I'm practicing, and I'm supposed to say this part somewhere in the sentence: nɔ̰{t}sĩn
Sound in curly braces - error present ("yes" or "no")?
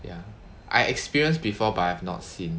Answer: no